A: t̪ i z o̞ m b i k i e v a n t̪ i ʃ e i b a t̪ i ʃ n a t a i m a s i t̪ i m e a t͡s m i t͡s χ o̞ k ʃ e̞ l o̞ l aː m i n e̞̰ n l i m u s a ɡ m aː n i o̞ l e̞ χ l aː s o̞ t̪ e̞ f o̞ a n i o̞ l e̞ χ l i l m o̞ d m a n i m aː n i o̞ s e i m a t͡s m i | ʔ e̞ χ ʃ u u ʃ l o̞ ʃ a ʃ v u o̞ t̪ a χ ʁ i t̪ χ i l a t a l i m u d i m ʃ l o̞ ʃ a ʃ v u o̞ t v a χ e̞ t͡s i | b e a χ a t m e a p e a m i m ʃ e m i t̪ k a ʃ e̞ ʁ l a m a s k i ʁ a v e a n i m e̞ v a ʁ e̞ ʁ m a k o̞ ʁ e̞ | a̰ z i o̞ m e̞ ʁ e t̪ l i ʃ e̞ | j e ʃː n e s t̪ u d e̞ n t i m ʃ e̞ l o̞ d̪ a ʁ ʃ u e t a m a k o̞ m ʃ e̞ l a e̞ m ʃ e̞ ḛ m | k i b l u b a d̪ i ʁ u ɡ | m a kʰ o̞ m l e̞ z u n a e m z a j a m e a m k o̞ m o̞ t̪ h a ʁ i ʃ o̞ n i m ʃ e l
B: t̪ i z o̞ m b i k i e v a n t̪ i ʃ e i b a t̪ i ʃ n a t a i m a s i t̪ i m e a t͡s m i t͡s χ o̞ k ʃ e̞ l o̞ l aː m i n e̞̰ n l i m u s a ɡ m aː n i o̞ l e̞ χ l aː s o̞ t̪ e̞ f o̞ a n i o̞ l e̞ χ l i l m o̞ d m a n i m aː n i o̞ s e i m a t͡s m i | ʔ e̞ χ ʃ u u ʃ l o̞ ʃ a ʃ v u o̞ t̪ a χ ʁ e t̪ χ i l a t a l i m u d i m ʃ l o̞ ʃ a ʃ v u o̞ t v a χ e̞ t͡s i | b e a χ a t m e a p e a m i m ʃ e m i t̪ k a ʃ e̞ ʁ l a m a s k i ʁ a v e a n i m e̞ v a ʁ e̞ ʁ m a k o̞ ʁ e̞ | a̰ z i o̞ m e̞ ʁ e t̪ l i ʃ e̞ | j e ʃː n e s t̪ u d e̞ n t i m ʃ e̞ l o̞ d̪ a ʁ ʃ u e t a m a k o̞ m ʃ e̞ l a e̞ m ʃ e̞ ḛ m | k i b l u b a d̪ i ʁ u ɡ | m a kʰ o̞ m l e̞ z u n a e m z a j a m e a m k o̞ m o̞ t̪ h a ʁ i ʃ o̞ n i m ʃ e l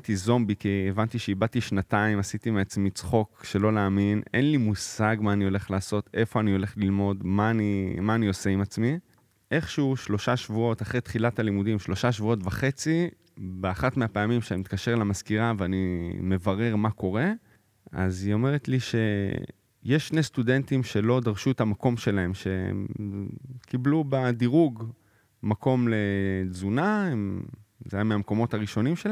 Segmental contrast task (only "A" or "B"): B